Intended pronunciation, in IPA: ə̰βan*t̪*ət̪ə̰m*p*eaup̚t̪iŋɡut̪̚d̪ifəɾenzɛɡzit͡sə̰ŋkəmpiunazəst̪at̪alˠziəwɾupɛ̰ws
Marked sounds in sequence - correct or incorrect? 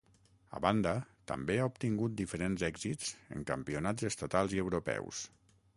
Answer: incorrect: d̪, incorrect: b

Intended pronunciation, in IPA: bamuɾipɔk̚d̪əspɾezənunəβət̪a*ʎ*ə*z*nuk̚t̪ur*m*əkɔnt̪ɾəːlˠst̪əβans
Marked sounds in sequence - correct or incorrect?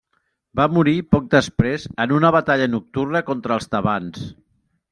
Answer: correct, incorrect: none, incorrect: n

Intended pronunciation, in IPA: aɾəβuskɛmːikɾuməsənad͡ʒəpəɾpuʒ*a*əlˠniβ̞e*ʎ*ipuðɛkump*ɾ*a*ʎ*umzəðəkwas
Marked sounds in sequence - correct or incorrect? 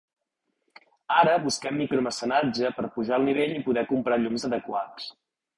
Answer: correct, correct, correct, correct

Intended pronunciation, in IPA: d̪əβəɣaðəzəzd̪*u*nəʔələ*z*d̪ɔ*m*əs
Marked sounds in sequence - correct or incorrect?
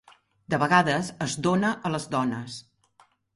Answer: incorrect: o, correct, incorrect: n

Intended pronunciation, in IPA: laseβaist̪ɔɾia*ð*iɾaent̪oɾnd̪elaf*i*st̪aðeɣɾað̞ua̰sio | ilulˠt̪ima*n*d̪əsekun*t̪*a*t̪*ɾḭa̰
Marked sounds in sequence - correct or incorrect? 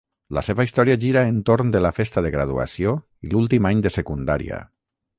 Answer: incorrect: ʒ, incorrect: e, incorrect: ɲ, incorrect: d̪, incorrect: none

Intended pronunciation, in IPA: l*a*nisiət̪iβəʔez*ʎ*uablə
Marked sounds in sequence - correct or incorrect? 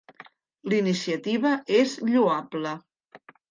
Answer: incorrect: i, correct

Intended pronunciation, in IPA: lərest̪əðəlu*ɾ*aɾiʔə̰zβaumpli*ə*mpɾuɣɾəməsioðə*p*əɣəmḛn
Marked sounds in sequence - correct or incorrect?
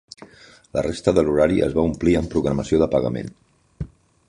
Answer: correct, correct, correct

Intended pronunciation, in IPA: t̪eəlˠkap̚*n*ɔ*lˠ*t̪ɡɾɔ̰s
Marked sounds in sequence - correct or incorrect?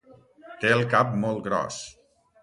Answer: incorrect: m, correct

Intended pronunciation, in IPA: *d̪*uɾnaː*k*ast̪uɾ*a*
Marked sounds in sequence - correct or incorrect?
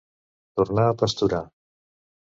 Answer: incorrect: t̪, incorrect: p, correct

